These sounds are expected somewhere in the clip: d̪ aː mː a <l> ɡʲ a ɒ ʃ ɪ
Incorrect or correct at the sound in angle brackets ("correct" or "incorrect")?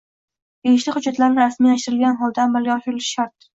correct